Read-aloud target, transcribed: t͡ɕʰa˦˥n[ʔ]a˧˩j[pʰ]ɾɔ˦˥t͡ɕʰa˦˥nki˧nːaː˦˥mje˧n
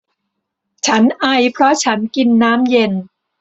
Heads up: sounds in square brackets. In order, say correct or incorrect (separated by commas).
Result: correct, correct